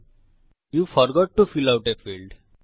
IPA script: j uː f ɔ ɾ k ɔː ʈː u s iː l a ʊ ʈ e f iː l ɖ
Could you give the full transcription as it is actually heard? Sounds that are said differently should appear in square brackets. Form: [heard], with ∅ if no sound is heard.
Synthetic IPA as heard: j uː f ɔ ɾ [ɡ] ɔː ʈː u [f] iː l a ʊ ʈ e f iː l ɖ